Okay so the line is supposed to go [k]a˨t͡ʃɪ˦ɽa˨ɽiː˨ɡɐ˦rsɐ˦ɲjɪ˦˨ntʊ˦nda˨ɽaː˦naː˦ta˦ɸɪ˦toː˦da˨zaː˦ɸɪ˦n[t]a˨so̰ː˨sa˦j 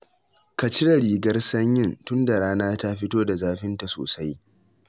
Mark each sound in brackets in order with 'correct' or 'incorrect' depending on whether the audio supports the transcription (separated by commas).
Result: correct, correct